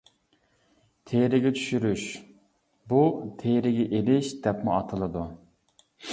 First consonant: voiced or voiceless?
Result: voiceless